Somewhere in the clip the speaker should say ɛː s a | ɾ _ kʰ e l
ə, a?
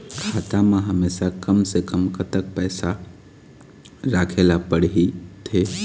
a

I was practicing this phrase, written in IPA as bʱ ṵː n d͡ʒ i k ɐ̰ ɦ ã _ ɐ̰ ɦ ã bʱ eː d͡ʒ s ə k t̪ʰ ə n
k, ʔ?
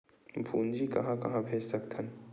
k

